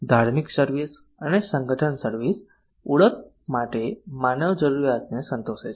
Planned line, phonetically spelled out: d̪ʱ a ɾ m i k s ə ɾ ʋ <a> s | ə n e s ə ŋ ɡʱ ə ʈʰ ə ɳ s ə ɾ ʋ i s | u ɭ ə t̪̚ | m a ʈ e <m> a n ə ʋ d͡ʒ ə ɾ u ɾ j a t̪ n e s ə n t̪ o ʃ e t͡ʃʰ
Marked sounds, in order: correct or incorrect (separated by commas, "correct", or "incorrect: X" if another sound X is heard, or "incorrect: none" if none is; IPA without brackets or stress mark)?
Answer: incorrect: i, correct